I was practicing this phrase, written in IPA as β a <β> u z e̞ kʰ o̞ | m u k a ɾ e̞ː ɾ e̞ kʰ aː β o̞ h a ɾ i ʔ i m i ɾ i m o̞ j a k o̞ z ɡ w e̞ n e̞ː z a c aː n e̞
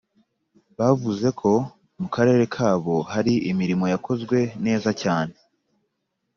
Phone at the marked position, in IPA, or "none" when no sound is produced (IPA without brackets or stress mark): v